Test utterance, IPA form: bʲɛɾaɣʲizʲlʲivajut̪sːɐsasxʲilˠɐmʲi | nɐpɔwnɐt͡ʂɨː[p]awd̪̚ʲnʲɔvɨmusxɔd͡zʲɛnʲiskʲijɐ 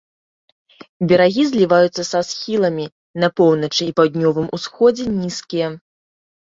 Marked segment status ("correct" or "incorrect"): correct